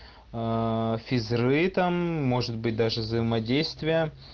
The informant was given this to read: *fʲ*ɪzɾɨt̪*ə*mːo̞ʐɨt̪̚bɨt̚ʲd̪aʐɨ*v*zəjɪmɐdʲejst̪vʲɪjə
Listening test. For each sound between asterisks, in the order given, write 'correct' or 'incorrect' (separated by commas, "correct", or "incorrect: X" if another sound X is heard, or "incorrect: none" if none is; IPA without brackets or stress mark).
correct, incorrect: a, correct